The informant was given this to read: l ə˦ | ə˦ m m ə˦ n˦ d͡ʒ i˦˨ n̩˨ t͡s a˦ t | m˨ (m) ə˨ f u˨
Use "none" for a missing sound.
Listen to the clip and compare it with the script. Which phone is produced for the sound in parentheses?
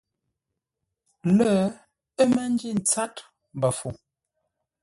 b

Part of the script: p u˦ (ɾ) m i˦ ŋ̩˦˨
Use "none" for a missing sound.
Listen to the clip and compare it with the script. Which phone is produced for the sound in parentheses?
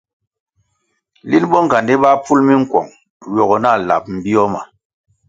l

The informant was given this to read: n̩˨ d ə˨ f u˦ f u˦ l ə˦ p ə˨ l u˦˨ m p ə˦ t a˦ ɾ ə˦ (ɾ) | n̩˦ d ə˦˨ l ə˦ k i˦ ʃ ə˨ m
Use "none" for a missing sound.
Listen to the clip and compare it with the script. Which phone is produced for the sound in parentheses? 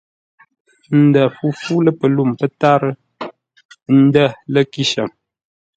none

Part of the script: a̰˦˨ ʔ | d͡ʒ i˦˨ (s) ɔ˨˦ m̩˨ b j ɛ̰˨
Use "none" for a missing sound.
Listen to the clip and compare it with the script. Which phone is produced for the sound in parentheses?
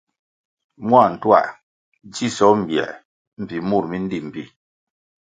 s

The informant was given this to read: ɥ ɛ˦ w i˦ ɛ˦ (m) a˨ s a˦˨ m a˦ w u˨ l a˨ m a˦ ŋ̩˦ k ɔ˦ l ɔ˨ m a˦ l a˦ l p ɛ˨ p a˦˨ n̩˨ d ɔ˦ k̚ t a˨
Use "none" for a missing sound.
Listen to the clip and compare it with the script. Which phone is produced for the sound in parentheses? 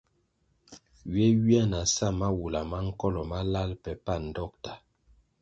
n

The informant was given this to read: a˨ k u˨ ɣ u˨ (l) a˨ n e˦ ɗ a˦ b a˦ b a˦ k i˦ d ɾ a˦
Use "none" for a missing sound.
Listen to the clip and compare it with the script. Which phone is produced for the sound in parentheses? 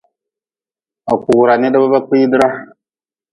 ɾ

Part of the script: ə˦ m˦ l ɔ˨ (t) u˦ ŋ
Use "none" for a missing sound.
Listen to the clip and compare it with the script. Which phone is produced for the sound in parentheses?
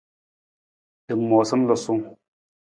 s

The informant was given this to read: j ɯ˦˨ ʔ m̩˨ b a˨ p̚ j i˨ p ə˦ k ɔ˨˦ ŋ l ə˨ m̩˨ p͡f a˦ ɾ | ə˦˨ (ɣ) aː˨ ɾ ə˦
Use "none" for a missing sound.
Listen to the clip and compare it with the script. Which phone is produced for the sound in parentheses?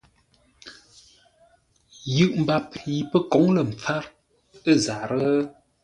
z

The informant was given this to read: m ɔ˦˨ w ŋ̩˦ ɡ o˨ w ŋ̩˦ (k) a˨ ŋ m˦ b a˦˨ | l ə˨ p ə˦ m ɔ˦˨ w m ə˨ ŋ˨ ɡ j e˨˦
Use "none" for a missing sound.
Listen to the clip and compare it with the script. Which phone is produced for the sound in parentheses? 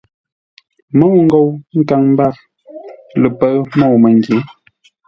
k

